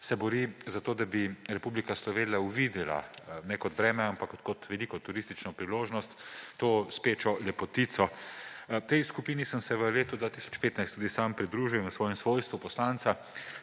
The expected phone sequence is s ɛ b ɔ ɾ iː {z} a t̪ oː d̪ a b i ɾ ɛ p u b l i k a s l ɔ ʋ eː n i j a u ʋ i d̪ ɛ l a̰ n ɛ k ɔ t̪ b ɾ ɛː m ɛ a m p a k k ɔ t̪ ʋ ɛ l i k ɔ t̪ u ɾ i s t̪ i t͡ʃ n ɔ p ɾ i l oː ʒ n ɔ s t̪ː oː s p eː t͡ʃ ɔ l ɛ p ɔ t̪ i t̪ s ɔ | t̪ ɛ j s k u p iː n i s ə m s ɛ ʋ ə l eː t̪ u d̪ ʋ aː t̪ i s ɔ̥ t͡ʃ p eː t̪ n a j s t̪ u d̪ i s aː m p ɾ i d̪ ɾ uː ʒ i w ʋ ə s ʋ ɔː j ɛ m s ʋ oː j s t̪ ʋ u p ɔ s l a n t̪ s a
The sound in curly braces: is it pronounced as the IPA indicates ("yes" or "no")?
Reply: yes